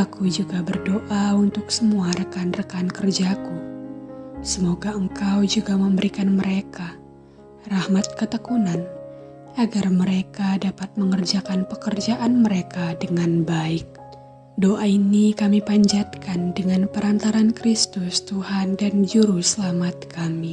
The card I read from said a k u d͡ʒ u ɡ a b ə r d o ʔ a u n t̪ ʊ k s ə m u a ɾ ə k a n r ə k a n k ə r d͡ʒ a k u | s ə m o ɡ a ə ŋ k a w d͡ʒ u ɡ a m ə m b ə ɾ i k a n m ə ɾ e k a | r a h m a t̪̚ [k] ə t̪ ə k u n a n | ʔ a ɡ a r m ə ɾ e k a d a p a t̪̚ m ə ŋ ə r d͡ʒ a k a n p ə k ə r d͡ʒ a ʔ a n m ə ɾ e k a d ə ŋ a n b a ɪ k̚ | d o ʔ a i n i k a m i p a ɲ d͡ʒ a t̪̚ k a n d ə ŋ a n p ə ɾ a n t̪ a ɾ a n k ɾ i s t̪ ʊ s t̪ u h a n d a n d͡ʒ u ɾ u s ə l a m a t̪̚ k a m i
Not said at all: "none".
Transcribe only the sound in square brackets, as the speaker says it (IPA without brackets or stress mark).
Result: k